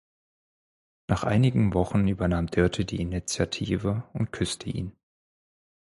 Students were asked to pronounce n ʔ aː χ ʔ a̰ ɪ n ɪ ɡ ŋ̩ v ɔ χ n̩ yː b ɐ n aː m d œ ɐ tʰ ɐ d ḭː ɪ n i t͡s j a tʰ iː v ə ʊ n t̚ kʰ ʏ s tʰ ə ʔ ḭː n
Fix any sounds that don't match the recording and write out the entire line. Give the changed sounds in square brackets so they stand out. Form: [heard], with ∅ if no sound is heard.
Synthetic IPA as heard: n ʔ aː χ ʔ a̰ ɪ n ɪ ɡ ŋ̩ v ɔ χ n̩ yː b ɐ n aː m d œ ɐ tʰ [ə] d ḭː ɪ n i t͡s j a tʰ iː v ə ʊ n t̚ kʰ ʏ s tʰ ə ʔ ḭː n